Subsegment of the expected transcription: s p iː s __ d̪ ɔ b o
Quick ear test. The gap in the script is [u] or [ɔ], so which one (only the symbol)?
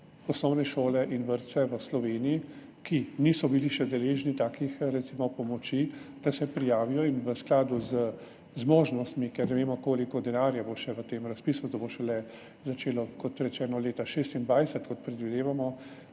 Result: u